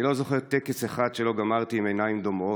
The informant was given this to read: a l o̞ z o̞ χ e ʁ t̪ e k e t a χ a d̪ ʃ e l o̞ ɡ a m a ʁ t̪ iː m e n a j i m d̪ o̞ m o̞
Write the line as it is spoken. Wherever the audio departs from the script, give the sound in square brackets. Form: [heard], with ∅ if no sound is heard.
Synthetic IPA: [i] l o̞ z o̞ χ e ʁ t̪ e k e [s] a χ a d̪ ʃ e l o̞ ɡ a m a ʁ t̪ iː m e n a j i m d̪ o̞ m o̞